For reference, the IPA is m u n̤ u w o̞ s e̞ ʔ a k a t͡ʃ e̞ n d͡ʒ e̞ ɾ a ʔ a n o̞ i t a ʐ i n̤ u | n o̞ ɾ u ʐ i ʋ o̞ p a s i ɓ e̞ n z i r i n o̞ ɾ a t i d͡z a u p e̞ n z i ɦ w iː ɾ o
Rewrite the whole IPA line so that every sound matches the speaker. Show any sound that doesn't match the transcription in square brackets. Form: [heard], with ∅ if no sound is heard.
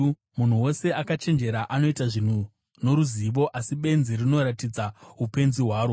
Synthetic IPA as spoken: m u n̤ u w o̞ s e̞ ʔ a k a t͡ʃ e̞ n d͡ʒ e̞ ɾ a ʔ a n o̞ i t a ʐ i n̤ u | n o̞ ɾ u [z] i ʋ o̞ [ʔ] a s i ɓ e̞ n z i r i n o̞ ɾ a t i d͡z a u p e̞ n z i ɦ w [aː] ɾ o